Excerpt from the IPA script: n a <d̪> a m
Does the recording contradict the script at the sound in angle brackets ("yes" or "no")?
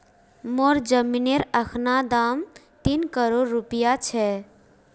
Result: no